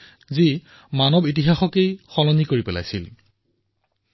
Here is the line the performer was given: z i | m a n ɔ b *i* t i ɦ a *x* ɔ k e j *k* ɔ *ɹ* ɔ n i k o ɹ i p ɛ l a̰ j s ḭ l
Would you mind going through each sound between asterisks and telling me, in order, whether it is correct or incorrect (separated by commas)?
correct, correct, incorrect, incorrect